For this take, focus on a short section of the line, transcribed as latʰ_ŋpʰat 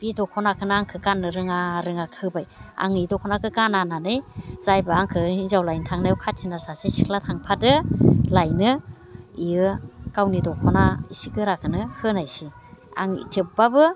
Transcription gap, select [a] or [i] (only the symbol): a